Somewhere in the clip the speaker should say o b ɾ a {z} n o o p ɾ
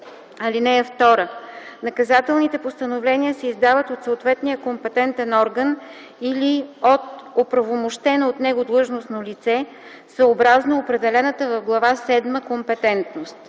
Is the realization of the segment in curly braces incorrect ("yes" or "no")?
no